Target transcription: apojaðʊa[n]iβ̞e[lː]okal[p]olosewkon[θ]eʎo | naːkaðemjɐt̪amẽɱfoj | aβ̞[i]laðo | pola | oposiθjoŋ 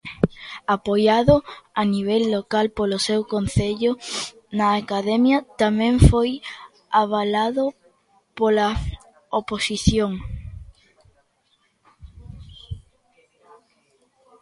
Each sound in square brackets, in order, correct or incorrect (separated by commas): correct, correct, correct, correct, incorrect